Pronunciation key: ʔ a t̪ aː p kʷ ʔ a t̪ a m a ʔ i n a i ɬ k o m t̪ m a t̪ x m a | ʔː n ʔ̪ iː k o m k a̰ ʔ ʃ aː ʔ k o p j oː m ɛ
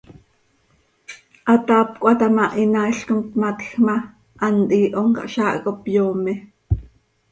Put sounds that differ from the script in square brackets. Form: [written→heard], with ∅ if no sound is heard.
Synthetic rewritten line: ʔ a t̪ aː p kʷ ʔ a t̪ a m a ʔ i n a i ɬ k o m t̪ m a t̪ x m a | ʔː n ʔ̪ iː [k→ʔ] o [m→ŋ] k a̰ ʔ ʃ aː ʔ k o p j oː m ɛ

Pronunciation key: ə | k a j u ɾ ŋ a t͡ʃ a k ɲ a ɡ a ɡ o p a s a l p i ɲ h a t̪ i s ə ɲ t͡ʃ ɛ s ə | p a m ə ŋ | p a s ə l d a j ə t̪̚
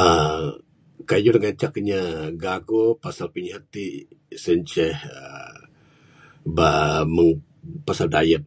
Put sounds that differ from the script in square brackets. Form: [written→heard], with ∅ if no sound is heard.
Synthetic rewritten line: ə | k a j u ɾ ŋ a t͡ʃ a k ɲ a ɡ a ɡ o p a s a l p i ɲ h a t̪ i s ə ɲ t͡ʃ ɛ [s→h] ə | [p→b] a m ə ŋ | p a s [ə→a] l d a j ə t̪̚

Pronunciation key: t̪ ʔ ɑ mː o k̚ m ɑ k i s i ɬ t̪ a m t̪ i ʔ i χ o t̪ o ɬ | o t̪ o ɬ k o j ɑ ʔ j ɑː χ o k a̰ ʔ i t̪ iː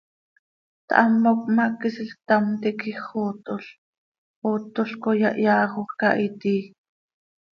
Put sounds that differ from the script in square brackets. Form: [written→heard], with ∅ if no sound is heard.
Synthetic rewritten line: t̪ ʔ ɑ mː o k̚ m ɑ k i s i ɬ t̪ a m t̪ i [ʔ→k] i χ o t̪ o ɬ | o t̪ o ɬ k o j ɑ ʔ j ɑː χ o k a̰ ʔ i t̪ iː

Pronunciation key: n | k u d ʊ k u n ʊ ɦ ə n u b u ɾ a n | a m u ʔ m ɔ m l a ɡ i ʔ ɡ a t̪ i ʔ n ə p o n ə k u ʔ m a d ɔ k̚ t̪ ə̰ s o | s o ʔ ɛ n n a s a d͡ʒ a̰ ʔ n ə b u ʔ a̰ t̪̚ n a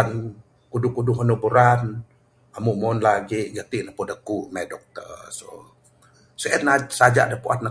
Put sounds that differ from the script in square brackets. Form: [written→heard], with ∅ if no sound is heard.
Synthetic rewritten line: n | k u d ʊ k u [n→d] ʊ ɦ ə n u b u ɾ a n | a m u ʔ m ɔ [m→n] l a ɡ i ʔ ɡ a t̪ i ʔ n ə p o [n→d] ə k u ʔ m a d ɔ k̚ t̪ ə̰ s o | s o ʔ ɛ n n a s a d͡ʒ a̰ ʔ [n→d] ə [b→p] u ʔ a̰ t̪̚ n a

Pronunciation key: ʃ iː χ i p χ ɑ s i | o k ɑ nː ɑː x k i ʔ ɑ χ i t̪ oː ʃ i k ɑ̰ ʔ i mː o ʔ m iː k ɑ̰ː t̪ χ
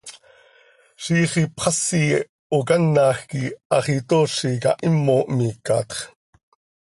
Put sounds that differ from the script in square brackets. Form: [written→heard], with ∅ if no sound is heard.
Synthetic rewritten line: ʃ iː χ i p χ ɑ s i | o k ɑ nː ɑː x k i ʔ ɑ χ i t̪ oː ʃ i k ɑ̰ ʔ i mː o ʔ m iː k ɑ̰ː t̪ χ

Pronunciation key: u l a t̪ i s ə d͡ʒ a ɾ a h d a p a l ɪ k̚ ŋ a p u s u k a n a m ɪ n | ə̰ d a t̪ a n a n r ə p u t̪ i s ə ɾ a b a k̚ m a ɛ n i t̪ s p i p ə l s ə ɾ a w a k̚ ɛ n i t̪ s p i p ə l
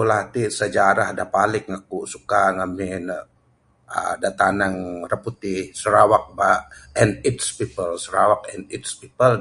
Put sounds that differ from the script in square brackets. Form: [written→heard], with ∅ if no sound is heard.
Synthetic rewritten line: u l a t̪ i s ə d͡ʒ a ɾ a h d a p a l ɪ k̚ ŋ a [p→k] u s u k a [n→ŋ] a m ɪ n | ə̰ d a t̪ a n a [n→ŋ] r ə p u t̪ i s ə ɾ a [b→w] a k̚ [m→b] a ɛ n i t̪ s p i p ə l s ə ɾ a w a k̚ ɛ n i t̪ s p i p ə l

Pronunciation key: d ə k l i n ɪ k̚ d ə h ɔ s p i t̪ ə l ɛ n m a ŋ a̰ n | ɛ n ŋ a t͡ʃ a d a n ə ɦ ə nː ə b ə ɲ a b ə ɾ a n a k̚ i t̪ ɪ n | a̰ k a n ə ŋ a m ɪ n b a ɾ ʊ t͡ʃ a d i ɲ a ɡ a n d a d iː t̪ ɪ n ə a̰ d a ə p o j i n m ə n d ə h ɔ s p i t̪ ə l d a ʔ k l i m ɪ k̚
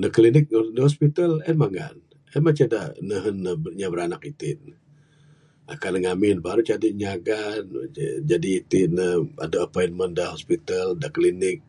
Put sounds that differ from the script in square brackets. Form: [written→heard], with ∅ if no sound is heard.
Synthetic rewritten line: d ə k l i n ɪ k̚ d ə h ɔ s p i t̪ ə l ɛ n m a ŋ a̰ n | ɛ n [ŋ→m] a t͡ʃ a d a n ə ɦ ə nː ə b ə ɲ a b ə ɾ a n a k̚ i t̪ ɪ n | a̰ k a n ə ŋ a m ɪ n b a ɾ [ʊ→u] t͡ʃ a d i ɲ a ɡ a n [d→d͡ʒ] a d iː t̪ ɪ n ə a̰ d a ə p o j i n m ə n d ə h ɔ s p i t̪ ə l d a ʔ k l i [m→n] ɪ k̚

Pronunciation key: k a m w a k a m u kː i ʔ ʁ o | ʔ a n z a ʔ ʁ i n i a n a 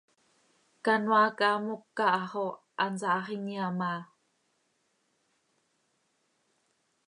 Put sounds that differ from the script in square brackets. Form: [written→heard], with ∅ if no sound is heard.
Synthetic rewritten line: k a [m→n] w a k a m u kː [i→a] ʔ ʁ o | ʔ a n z a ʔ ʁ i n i a [n→m] a

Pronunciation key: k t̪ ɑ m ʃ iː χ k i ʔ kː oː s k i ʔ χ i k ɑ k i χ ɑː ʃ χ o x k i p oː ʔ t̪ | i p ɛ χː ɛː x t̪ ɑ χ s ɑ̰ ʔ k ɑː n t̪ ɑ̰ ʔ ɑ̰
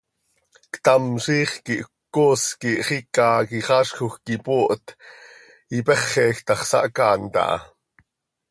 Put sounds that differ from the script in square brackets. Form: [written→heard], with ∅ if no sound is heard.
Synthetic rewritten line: k t̪ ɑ m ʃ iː χ k i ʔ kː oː s k i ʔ χ i k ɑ k i χ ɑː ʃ [χ→x] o x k i p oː ʔ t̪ | i p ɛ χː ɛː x t̪ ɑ χ s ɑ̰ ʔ k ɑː n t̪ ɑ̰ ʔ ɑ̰

